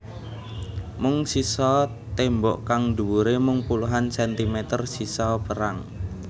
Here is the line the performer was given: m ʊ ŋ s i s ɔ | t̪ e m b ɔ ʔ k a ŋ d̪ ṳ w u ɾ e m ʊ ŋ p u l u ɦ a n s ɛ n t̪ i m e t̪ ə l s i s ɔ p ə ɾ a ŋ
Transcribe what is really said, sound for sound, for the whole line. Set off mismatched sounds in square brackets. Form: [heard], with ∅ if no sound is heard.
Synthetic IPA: m ʊ ŋ s i s ɔ | t̪ e m b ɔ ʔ k a ŋ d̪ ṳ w u ɾ e m ʊ ŋ p u l u ɦ a n s ɛ n t̪ i m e t̪ ə [r] s i s ɔ p ə ɾ a ŋ